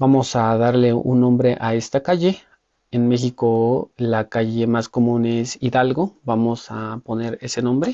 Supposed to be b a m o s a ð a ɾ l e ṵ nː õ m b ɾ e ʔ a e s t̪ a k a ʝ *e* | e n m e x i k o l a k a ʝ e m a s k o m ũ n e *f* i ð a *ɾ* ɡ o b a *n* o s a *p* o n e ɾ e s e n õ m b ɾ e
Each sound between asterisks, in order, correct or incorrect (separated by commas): correct, incorrect, incorrect, incorrect, correct